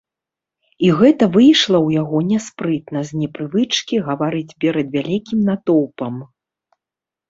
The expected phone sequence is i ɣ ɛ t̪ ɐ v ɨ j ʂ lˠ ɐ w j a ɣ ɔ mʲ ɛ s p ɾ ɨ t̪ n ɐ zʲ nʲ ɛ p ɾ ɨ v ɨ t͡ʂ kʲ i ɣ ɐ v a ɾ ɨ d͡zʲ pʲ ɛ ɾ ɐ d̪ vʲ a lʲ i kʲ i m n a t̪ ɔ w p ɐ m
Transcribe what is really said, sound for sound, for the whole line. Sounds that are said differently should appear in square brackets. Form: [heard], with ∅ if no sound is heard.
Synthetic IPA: i ɣ ɛ t̪ ɐ v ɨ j ʂ lˠ ɐ w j a ɣ ɔ [nʲ] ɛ s p ɾ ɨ t̪ n ɐ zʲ nʲ ɛ p ɾ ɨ v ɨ t͡ʂ kʲ i ɣ ɐ v a ɾ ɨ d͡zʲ pʲ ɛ ɾ ɐ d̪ vʲ a lʲ i kʲ i m n a t̪ ɔ w p ɐ m